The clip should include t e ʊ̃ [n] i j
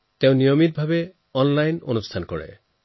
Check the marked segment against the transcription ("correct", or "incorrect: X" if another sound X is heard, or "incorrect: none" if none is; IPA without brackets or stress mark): correct